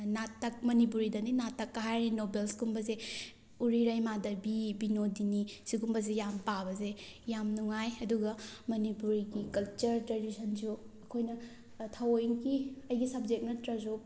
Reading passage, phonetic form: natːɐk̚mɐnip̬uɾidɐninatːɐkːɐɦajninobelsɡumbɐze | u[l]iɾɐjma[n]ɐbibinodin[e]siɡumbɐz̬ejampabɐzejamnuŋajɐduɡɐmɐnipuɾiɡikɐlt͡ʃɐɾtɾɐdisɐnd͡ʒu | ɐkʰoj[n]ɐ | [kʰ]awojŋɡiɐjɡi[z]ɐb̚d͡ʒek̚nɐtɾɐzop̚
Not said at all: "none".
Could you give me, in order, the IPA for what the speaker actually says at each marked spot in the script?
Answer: ɾ, d, i, n, tʰ, s

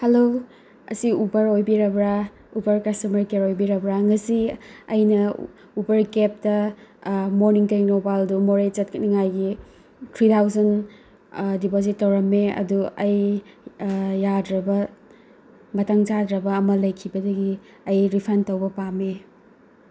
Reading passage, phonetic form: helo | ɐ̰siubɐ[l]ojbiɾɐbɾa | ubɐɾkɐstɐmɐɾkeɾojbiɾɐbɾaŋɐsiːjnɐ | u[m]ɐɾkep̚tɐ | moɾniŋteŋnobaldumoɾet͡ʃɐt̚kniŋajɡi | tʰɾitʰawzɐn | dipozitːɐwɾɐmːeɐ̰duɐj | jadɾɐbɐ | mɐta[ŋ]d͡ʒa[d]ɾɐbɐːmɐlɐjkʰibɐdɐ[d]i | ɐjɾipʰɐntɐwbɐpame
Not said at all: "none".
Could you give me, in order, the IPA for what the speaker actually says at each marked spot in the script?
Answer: ɾ, b, ŋ, d, ɡ

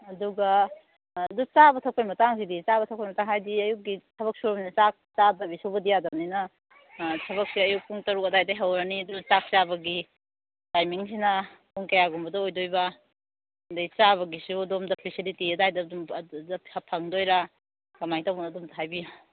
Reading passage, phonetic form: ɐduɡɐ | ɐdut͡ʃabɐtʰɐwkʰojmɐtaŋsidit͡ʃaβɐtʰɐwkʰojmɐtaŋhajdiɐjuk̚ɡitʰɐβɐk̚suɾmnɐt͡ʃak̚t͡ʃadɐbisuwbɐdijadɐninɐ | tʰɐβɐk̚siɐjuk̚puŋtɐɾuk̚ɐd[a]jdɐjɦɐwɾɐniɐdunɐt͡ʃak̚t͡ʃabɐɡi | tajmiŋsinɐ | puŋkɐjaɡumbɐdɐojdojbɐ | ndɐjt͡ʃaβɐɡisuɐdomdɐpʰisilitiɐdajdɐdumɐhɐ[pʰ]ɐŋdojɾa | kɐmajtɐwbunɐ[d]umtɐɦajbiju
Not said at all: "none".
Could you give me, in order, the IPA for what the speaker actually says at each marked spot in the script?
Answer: a, pʰ, d

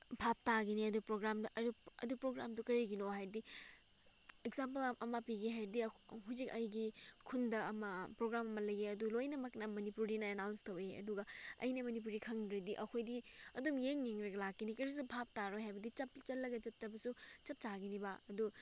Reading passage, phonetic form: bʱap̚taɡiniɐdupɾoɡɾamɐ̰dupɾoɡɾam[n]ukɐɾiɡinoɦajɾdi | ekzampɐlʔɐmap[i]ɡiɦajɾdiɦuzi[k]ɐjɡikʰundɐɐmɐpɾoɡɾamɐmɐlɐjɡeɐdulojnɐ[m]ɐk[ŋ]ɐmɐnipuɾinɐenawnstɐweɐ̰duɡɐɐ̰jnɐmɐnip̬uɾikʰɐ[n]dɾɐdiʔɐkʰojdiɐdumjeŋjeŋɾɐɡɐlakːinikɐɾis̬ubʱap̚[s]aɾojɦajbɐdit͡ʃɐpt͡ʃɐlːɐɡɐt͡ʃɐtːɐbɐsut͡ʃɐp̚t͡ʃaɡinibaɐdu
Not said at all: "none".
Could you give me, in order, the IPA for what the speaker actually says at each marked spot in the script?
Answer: d, i, k, m, n, ŋ, t

